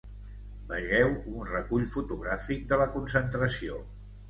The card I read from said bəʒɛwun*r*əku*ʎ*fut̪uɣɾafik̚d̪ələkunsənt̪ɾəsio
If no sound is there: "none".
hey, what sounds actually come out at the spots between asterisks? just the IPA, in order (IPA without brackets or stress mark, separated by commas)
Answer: r, ʎ